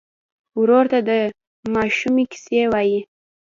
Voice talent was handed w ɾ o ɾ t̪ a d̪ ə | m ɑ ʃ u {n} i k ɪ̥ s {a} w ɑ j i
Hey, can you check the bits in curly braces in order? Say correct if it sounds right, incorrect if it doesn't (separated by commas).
incorrect, incorrect